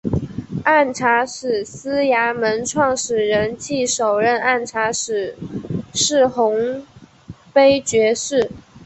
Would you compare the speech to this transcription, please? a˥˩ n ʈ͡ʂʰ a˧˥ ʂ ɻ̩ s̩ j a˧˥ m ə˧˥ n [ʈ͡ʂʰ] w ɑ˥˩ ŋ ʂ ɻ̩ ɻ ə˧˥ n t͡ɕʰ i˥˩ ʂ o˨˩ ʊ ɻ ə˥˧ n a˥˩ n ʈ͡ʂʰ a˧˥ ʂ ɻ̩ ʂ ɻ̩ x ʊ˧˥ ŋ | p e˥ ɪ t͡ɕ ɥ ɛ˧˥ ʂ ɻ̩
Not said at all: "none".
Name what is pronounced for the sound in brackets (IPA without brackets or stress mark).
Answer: ʈ͡ʂʰ